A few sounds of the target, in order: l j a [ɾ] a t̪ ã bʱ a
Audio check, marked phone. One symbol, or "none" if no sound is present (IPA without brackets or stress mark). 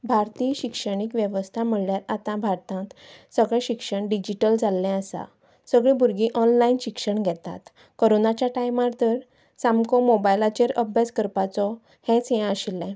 ɾ